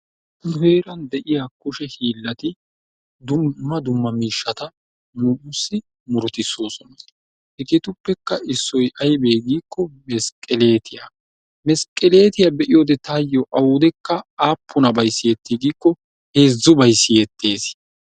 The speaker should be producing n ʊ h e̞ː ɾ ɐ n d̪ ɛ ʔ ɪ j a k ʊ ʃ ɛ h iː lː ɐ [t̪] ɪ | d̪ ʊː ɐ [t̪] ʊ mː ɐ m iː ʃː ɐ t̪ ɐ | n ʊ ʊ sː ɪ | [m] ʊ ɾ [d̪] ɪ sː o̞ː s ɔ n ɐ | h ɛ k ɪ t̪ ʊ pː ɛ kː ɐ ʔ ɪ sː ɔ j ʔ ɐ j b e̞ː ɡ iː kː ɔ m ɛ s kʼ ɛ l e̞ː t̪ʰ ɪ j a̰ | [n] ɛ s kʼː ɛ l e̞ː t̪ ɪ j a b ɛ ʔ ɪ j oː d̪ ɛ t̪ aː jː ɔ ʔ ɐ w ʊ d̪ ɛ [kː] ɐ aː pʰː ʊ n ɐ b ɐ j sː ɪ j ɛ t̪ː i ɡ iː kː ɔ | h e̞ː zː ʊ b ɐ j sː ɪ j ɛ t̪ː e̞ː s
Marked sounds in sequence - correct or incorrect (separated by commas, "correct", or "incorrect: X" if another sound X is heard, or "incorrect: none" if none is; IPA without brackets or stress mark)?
correct, incorrect: d̪, correct, incorrect: t̪, incorrect: m, correct